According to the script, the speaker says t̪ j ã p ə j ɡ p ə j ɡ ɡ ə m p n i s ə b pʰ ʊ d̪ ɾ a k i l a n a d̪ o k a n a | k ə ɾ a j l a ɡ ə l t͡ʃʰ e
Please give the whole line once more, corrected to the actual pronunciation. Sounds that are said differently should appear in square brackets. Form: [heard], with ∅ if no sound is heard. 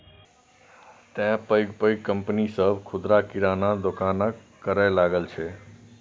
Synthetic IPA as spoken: t̪ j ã p ə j ɡ p ə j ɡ [k] ə m p n i s ə b [kʰ] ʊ d̪ ɾ a k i [ɾ] a n a d̪ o k a n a | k ə ɾ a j l a ɡ ə l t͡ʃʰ e